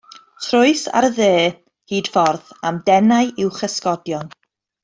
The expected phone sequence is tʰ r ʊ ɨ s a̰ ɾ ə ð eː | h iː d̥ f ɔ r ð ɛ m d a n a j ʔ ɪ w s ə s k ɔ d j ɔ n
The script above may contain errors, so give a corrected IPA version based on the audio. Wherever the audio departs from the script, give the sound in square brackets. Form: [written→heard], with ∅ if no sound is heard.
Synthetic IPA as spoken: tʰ r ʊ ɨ s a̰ ɾ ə ð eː | h iː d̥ f ɔ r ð [ɛ→a] m d [a→ɛ] n a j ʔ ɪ w [s→χ] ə s k ɔ d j ɔ n